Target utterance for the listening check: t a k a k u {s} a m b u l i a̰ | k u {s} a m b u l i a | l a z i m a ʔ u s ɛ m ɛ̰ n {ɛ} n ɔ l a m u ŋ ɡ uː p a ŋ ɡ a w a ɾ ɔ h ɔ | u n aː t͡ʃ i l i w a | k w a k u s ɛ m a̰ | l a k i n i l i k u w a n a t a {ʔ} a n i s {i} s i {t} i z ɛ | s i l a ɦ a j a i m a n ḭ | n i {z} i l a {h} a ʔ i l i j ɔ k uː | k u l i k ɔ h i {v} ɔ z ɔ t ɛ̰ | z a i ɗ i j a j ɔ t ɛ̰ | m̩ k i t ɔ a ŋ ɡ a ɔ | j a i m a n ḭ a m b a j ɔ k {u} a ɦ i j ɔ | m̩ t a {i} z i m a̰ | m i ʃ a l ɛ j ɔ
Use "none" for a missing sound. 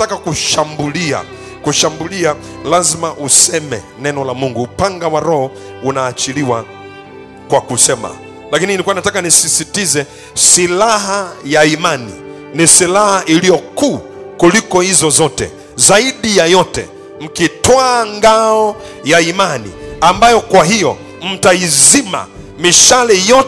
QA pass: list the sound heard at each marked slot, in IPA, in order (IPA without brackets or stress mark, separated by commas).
ʃ, ʃ, ɛ, k, i, t, s, h, z, w, i